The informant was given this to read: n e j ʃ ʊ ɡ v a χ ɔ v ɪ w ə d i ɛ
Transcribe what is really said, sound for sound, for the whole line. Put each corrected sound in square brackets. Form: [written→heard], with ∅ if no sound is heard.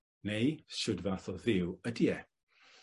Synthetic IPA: n e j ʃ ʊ [ɡ→d] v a [χ→θ] ɔ [v→ð] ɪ w ə d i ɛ